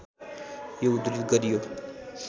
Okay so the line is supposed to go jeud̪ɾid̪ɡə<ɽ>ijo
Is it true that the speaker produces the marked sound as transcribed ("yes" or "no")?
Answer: no